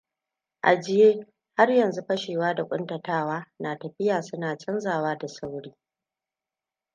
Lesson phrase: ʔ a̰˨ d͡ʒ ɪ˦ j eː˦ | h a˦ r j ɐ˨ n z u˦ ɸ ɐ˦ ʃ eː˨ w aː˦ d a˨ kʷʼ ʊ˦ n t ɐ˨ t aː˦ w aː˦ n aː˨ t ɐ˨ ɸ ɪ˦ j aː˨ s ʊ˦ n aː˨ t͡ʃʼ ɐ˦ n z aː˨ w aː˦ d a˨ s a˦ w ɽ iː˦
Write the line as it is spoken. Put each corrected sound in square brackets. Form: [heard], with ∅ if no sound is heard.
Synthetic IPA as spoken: ʔ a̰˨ d͡ʒ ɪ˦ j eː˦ | h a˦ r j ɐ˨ n z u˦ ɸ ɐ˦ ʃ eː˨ w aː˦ d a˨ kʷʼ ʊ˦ n t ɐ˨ t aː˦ w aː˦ n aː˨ t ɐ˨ ɸ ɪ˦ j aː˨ s ʊ˦ n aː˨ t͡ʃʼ ɐ˦ n z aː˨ w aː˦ d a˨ s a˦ w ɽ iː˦